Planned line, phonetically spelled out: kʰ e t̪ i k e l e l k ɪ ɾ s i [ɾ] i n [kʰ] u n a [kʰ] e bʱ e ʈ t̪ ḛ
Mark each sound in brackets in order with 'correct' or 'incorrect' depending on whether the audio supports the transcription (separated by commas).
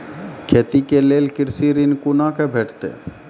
correct, incorrect, incorrect